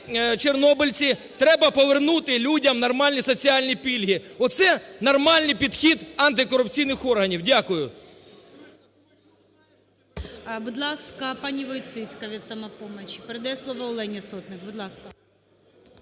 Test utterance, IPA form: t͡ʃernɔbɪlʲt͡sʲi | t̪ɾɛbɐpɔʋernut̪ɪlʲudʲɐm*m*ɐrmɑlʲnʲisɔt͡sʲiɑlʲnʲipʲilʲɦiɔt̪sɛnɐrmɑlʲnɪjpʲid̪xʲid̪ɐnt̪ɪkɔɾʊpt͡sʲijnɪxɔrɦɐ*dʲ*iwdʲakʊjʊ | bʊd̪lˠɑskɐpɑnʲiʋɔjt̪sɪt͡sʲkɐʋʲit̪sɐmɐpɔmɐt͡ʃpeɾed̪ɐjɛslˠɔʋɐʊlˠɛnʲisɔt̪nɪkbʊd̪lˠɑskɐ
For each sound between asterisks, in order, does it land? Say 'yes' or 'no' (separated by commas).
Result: no, no